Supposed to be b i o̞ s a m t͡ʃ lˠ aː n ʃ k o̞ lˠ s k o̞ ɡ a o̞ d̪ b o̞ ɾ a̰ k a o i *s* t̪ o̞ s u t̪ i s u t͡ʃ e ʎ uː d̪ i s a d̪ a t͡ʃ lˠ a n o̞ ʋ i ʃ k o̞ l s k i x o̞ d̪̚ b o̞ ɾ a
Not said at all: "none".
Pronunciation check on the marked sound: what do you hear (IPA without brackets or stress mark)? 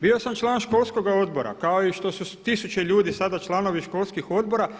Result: ʃ